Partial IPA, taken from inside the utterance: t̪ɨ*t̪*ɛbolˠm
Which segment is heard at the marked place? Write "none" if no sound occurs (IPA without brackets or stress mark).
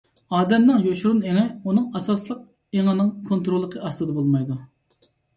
d̪